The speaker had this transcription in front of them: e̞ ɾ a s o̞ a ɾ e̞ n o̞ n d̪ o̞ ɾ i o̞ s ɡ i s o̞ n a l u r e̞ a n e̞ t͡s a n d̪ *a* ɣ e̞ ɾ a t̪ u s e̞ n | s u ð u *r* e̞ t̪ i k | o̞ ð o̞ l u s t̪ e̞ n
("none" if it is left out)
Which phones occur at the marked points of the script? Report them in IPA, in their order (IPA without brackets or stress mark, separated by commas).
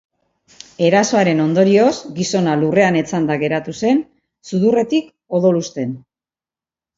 a, r